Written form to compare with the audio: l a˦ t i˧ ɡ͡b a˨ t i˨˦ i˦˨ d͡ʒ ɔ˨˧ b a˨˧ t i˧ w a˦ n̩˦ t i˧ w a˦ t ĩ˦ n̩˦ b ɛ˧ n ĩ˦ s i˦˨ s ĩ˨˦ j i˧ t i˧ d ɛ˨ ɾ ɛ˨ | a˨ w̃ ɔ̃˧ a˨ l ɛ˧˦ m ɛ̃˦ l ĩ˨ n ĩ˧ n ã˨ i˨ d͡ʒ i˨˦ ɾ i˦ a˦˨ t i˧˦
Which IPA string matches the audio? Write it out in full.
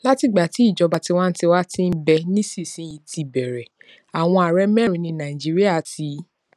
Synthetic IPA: l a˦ t i˧ ɡ͡b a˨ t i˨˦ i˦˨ d͡ʒ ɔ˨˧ b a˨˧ t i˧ w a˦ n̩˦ t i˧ w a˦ t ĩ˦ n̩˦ b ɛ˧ n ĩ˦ s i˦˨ s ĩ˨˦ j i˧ t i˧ b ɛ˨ ɾ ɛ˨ | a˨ w̃ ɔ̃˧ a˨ ɾ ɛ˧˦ m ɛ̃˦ ɾ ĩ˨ n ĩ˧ n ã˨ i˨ d͡ʒ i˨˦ ɾ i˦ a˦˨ t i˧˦